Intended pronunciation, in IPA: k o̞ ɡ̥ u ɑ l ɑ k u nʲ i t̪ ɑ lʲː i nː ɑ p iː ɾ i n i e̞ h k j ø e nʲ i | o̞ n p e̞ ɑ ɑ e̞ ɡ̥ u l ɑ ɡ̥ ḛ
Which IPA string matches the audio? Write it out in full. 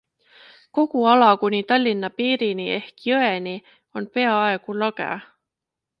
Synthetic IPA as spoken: k o̞ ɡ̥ u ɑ l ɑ k u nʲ i t̪ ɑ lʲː i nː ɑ p iː ɾ i n i e̞ h k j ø e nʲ i | o̞ n p e̞ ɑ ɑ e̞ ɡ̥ u l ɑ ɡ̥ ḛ